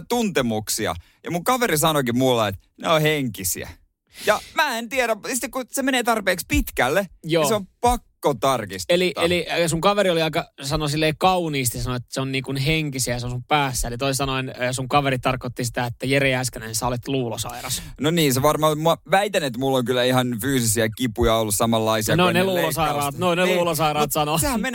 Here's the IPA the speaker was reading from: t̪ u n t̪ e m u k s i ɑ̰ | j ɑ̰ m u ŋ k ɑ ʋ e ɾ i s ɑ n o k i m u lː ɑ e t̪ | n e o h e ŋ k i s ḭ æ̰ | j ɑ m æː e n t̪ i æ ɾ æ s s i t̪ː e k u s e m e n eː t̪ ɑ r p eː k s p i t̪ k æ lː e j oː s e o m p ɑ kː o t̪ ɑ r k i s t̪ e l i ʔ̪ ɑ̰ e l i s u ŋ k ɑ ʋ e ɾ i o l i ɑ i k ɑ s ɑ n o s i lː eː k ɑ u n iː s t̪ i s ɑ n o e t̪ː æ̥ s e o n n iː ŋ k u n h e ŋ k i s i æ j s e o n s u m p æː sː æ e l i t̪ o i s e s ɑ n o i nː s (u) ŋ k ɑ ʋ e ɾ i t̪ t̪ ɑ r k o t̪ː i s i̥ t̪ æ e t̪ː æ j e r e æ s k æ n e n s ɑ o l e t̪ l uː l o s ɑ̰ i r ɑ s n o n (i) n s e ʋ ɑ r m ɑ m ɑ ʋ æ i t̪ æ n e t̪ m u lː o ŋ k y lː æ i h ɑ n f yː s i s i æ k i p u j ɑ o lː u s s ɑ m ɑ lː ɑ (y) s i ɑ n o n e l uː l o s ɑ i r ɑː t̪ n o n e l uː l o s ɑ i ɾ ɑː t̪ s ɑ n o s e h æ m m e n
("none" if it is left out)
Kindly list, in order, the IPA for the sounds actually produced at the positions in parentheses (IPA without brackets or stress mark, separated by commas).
u, iː, i